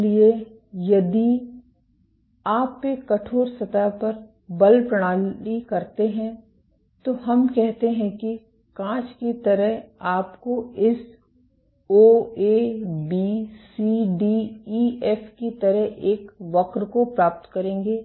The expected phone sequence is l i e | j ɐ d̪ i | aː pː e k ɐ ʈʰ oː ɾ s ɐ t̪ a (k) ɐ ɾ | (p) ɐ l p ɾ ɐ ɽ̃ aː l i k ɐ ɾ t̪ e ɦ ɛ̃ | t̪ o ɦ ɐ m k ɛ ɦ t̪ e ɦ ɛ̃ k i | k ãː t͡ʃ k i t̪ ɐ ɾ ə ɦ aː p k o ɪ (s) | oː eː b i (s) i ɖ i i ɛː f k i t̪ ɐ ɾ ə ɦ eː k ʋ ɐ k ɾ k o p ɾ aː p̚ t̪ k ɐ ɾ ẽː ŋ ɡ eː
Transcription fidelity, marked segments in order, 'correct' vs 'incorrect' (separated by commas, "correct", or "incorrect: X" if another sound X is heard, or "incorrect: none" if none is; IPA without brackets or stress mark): incorrect: p, incorrect: b, correct, correct